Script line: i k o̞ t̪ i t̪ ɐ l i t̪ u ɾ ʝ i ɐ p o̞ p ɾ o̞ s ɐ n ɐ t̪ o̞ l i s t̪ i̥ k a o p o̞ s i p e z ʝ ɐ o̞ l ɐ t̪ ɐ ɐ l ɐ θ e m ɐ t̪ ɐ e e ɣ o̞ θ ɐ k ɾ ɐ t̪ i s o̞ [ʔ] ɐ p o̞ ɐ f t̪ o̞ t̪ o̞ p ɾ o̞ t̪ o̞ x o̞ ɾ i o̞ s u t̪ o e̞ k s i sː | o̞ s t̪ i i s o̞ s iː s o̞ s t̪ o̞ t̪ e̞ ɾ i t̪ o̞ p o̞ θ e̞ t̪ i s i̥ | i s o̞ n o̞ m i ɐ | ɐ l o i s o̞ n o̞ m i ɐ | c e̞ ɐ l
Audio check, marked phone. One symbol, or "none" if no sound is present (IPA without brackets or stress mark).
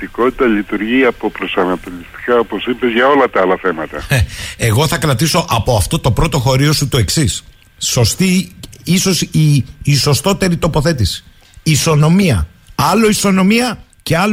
ʔ